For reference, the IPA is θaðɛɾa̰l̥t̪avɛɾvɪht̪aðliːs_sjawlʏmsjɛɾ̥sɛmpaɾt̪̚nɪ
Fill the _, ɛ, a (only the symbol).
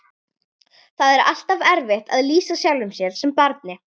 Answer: a